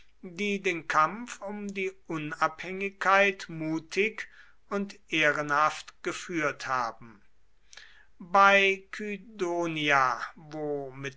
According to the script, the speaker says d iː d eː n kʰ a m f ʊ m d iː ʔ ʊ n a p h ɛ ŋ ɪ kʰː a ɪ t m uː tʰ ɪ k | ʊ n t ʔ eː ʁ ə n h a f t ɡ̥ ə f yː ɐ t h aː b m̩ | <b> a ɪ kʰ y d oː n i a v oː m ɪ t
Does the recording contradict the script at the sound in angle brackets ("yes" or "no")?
no